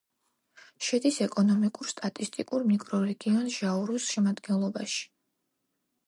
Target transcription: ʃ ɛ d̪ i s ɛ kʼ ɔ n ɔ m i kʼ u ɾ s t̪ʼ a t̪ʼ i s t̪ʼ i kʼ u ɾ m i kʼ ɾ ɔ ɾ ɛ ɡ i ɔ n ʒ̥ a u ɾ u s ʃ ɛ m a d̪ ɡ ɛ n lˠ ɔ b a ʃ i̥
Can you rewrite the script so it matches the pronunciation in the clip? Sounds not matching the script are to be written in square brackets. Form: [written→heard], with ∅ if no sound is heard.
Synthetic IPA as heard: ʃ ɛ d̪ i s ɛ kʼ ɔ n ɔ m i kʼ u ɾ s t̪ʼ a t̪ʼ i s t̪ʼ i kʼ u ɾ m i kʼ ɾ ɔ ɾ ɛ ɡ i ɔ n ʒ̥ a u ɾ u s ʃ ɛ m a d̪ ɡ ɛ n lˠ ɔ b a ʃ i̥